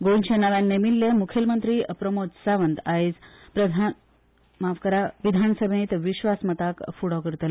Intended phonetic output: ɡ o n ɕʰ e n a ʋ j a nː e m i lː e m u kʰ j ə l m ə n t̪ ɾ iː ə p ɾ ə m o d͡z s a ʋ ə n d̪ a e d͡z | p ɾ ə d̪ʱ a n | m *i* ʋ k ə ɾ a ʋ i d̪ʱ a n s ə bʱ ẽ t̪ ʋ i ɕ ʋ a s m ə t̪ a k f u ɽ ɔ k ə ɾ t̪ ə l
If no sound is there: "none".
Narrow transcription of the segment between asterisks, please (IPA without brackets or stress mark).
a